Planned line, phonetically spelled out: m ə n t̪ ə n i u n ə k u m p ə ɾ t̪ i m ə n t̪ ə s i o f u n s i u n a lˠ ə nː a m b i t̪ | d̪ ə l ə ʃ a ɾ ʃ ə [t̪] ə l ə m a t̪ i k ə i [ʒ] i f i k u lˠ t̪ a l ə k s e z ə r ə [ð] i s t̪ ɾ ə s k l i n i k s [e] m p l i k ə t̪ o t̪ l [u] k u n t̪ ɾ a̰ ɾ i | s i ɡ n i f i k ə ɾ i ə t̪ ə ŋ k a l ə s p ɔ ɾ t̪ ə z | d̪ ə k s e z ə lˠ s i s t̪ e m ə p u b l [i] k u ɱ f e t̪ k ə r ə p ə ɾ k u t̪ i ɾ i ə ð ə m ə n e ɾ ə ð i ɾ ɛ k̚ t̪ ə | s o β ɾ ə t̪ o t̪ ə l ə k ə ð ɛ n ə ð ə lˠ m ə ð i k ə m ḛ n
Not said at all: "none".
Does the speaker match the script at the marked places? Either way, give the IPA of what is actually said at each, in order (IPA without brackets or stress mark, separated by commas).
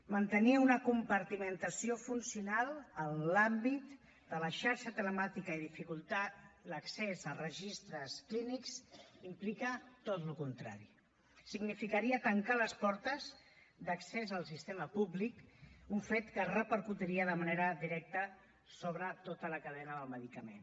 t̪, ð, ʒ, i, u, i